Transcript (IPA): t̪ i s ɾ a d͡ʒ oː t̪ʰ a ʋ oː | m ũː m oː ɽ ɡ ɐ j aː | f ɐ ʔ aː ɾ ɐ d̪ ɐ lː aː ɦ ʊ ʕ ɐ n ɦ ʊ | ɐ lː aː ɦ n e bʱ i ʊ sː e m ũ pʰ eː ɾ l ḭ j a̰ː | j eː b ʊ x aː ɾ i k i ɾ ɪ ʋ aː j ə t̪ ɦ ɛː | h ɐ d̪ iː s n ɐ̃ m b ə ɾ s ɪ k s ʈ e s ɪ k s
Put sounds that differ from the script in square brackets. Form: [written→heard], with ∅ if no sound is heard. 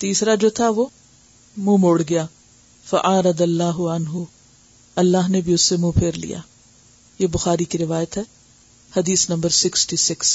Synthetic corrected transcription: t̪ [i→iː] s ɾ a d͡ʒ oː t̪ʰ a ʋ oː | m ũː m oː ɽ ɡ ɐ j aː | f ɐ ʔ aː ɾ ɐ d̪ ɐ lː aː ɦ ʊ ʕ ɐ n ɦ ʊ | ɐ lː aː ɦ n e bʱ i ʊ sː e m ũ pʰ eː ɾ l ḭ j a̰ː | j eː b ʊ x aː ɾ i k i ɾ ɪ ʋ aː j ə t̪ ɦ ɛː | h ɐ d̪ iː s n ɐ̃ m b ə ɾ s ɪ k s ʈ [e→i] s ɪ k s